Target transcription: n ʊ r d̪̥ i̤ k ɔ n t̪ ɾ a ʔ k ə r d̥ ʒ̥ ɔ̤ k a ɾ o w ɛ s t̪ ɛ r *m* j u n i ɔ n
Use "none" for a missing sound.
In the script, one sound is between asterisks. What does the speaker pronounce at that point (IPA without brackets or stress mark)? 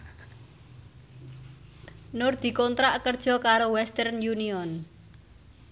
n